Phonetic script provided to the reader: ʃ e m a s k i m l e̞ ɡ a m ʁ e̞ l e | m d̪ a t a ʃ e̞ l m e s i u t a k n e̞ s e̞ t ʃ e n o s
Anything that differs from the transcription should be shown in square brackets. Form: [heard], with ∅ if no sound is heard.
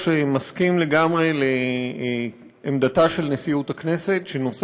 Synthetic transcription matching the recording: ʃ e m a s k i m l e̞ ɡ a m ʁ e̞ l e | m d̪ a t a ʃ e̞ l [n] e s i u t a k n e̞ s e̞ t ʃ e n o s